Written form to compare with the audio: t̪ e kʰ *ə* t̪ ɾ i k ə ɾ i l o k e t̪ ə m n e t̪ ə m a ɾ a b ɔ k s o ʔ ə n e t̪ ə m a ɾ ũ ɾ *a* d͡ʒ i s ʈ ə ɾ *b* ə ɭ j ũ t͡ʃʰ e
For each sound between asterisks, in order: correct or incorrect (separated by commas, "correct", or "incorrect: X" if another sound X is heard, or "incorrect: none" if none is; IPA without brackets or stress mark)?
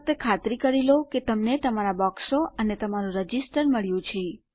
incorrect: a, incorrect: ə, incorrect: m